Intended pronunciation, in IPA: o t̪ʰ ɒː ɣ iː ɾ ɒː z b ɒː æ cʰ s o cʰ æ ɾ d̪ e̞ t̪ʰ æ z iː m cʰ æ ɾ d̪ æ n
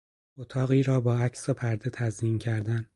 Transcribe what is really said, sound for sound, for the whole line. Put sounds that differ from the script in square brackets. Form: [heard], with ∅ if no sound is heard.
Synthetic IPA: o t̪ʰ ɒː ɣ iː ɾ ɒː [∅] b ɒː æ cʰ s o [pʰ] æ ɾ d̪ e̞ t̪ʰ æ z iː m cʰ æ ɾ d̪ æ n